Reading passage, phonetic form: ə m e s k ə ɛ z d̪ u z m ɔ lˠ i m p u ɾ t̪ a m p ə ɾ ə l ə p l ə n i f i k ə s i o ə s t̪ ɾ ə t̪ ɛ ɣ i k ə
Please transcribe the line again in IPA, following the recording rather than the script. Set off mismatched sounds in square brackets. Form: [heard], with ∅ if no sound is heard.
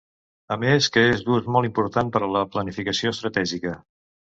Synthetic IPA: ə m e s k ə [e] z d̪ u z m ɔ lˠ i m p u ɾ t̪ a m p ə ɾ ə l ə p l ə n i f i k ə s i o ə s t̪ ɾ ə t̪ ɛ [ʒ] i k ə